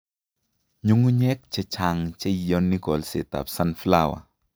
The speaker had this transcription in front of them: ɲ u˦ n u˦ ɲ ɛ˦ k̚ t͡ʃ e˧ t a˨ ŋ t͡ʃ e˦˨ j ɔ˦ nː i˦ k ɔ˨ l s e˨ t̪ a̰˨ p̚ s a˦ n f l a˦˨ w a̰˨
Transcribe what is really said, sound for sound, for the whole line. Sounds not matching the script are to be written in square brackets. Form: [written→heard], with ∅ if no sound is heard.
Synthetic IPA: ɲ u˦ [n→ŋ] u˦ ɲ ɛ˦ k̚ t͡ʃ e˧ [t→t͡ʃ] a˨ ŋ t͡ʃ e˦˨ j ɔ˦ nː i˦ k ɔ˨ l s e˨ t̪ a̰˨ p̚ s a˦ n f l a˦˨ w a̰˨

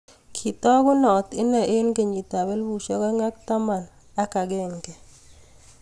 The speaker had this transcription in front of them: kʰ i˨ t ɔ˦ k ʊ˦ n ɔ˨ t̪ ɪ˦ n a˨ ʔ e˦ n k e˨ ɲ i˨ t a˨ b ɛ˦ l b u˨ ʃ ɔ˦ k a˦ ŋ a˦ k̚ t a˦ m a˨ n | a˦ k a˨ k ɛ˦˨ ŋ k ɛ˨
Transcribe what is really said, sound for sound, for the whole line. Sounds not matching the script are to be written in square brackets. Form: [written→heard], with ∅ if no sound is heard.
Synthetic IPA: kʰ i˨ t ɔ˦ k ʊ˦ n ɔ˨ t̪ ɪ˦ n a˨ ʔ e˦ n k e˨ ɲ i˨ t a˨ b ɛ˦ l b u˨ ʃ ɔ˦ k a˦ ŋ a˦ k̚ t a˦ m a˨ n | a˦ k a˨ [k→ɡ] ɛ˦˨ ŋ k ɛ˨

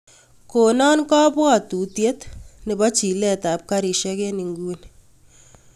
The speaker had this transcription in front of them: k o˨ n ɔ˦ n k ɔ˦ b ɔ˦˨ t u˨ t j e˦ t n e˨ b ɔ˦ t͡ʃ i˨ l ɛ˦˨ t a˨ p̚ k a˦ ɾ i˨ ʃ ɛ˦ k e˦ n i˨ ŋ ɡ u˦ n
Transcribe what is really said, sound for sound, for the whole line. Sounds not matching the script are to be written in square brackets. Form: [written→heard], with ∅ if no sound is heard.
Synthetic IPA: k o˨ n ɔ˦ n k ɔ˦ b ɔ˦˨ t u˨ t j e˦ t n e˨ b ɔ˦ t͡ʃ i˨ l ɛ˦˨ t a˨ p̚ k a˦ ɾ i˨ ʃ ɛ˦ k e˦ n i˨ ŋ ɡ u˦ n

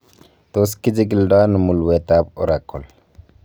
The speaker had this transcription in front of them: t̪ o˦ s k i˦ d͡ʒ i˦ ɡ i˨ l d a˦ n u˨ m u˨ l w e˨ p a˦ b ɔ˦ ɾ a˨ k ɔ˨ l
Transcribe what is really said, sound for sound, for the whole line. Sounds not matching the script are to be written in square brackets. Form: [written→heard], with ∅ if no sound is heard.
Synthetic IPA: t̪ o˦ s k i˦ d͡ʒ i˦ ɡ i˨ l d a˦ n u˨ m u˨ l w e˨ [p→t] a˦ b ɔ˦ ɾ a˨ k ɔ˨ l

